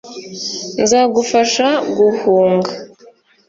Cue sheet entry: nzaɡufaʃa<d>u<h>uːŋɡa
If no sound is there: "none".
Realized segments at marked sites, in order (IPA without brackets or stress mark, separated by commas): ɡ, h